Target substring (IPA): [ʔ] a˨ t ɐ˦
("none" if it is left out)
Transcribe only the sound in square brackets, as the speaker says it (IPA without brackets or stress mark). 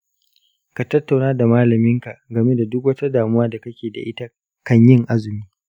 k